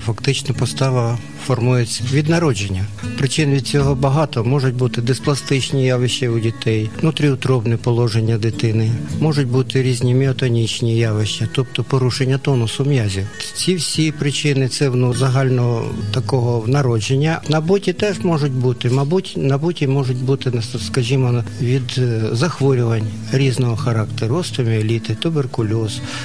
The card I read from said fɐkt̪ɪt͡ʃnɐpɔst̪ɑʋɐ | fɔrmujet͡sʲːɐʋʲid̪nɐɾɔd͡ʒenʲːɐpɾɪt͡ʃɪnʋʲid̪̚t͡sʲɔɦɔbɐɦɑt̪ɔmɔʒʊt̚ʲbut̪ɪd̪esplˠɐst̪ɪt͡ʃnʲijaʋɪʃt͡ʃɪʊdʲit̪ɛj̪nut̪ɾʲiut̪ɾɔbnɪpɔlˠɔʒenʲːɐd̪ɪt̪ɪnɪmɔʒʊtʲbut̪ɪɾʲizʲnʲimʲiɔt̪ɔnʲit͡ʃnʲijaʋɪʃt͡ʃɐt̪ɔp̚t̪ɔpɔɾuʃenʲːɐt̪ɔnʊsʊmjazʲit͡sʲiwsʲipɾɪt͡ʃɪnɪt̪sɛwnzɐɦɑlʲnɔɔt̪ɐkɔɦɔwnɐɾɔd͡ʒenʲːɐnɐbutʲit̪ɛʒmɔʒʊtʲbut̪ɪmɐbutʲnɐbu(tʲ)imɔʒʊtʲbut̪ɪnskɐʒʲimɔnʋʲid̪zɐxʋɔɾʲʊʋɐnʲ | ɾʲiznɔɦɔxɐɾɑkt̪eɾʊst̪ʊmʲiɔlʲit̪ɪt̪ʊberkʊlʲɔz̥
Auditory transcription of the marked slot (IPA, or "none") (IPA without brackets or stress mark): tʲ